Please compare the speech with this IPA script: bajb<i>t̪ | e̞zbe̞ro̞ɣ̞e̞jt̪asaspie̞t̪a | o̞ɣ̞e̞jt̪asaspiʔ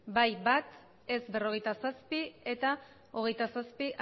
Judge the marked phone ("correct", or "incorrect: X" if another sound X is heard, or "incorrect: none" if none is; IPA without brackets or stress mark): incorrect: a